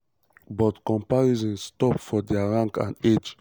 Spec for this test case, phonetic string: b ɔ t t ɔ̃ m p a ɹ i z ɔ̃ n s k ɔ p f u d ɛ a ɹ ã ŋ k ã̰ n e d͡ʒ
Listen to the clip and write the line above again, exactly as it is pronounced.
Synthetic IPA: b ɔ t k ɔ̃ m p a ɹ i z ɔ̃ n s t ɔ p f ɔ d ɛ a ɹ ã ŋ k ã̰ n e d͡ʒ